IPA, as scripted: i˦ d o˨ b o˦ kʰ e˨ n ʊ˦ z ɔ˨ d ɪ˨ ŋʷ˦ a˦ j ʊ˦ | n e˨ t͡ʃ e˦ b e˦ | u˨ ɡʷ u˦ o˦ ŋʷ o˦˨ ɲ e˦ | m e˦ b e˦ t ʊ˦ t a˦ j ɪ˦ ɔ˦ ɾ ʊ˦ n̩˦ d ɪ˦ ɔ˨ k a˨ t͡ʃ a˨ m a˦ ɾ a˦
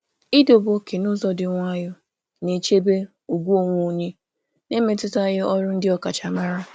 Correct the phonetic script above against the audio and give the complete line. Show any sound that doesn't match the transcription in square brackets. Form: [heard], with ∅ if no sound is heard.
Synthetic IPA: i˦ d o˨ b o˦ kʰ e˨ n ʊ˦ z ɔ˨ d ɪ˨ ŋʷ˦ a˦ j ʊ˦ | n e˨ t͡ʃ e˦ b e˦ | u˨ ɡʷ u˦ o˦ ŋʷ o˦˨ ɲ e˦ | [n] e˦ [m] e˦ t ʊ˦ t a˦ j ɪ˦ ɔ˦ ɾ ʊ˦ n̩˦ d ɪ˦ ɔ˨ k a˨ t͡ʃ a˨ m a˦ ɾ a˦